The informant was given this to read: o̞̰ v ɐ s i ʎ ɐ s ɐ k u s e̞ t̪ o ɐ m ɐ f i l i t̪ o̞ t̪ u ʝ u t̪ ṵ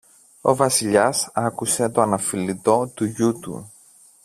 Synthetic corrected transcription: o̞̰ v ɐ s i ʎ ɐ s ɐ k u s e̞ t̪ o ɐ n ɐ f i l i t̪ o̞ t̪ u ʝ u t̪ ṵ

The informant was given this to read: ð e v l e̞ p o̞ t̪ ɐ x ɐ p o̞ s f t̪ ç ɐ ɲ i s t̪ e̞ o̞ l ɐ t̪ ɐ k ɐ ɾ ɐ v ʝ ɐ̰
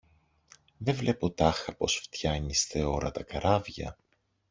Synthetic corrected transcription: ð e v l e̞ p o̞ t̪ ɐ x ɐ p o̞ s f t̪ ç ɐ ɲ i s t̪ e̞ o̞ ɾ ɐ t̪ ɐ k ɐ ɾ ɐ v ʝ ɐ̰

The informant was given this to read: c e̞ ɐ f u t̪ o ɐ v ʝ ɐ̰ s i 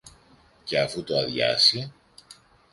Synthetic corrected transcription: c e̞ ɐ f u t̪ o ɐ ð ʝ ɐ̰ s i

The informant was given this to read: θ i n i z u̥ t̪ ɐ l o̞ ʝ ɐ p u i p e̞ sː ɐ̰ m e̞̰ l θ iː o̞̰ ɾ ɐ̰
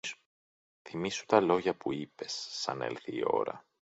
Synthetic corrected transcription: θ i m i s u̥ t̪ ɐ l o̞ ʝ ɐ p u i p e̞ sː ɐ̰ n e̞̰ l θ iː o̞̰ ɾ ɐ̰

